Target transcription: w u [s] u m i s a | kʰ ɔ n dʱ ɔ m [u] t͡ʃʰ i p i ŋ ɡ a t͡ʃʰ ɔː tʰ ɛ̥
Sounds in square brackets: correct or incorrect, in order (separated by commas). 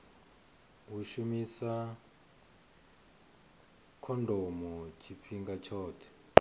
incorrect, incorrect